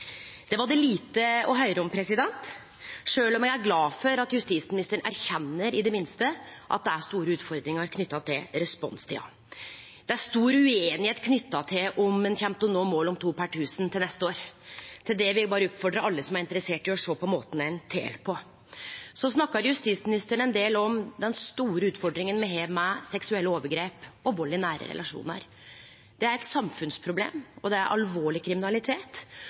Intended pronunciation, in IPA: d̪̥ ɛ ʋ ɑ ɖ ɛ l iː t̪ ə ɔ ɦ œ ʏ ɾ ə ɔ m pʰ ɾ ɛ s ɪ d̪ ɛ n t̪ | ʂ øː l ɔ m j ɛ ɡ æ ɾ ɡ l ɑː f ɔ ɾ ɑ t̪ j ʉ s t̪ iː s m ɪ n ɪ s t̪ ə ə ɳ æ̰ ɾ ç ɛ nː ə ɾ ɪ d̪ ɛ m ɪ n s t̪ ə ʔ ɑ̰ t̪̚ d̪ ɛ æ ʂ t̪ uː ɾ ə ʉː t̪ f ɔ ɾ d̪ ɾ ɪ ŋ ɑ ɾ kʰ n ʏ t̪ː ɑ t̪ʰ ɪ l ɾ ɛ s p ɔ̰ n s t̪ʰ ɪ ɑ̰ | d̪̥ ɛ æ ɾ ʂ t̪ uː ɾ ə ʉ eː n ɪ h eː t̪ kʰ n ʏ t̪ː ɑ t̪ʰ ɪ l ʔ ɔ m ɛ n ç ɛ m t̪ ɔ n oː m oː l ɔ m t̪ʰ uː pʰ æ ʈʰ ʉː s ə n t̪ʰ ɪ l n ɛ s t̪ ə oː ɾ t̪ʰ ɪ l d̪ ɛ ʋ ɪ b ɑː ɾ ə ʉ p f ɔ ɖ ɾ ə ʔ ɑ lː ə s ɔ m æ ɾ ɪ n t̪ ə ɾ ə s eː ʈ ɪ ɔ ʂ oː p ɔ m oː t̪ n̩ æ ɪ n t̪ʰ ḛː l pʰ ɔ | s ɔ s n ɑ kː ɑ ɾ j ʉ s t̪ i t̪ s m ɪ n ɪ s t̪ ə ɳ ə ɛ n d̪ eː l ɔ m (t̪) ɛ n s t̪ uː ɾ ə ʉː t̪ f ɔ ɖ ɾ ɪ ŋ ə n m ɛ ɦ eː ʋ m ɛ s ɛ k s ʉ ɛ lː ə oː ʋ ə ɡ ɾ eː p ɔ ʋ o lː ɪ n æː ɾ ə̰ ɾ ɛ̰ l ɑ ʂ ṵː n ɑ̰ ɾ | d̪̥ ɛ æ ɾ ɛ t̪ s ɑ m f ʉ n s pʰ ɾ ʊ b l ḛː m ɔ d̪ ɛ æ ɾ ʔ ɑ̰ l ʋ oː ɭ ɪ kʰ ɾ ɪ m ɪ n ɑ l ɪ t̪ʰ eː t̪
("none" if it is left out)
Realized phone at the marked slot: d̪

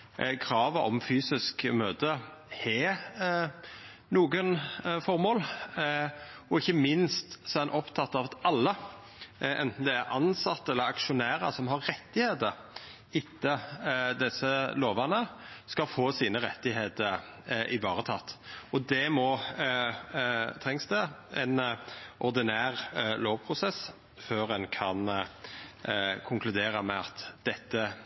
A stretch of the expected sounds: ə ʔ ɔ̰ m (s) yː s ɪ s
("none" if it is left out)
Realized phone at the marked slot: f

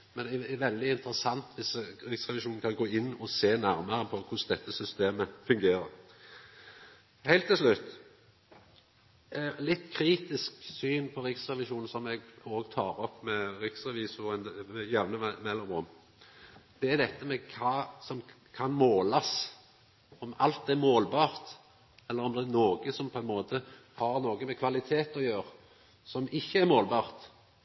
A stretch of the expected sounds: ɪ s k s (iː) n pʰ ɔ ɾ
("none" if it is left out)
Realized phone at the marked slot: yː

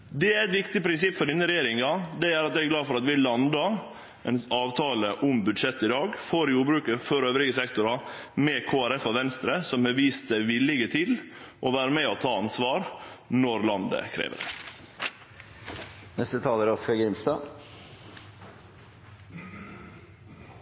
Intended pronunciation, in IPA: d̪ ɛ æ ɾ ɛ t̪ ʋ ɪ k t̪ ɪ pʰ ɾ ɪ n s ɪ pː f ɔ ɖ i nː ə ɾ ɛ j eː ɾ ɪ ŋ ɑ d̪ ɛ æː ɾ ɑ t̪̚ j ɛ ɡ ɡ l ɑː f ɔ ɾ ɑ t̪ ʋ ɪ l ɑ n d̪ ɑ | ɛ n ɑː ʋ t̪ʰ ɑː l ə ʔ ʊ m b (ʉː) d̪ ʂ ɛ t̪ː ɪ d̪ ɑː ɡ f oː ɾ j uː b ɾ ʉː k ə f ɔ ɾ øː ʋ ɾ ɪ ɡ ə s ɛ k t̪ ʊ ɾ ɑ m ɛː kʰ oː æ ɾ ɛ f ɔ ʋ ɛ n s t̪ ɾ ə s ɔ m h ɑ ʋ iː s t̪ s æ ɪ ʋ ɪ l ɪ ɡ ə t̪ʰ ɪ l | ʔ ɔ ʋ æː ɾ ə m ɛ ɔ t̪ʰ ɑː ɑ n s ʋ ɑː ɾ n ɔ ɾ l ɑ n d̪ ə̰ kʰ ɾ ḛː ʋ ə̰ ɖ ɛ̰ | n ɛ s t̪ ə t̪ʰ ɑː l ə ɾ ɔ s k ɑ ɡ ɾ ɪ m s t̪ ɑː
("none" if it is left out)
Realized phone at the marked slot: ʉ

